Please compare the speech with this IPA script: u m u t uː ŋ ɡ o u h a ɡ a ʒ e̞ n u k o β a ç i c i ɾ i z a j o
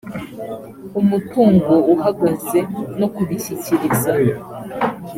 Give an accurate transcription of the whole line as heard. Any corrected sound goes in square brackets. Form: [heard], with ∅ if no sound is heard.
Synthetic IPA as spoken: u m u t uː ŋ ɡ o u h a ɡ a [z] e̞ n [o] k [u] β [i] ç i c i ɾ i z a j o